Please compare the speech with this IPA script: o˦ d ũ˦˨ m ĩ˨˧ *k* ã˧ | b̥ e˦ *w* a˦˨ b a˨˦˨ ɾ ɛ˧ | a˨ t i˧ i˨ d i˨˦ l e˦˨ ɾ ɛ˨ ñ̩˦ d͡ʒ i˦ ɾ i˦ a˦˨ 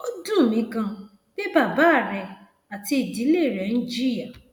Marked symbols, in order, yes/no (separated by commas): yes, no